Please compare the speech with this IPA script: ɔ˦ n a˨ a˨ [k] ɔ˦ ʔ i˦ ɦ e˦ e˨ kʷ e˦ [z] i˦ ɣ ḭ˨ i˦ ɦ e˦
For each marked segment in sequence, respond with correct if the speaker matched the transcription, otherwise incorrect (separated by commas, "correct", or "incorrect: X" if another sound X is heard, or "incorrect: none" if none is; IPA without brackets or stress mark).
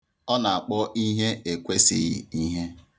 incorrect: k͡p, incorrect: s